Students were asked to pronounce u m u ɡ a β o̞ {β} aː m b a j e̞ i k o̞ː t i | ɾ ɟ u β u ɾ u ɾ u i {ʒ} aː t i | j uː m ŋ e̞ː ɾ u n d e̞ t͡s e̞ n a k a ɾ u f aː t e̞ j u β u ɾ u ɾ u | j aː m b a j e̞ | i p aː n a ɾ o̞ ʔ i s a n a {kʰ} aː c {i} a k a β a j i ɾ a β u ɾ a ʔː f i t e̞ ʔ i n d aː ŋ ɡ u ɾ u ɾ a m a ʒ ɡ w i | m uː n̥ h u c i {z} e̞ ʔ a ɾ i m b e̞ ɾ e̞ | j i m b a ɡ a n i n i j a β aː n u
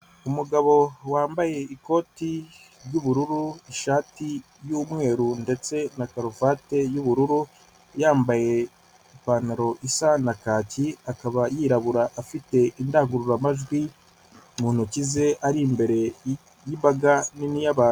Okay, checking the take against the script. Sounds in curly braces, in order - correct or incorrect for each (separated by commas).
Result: incorrect, incorrect, incorrect, correct, correct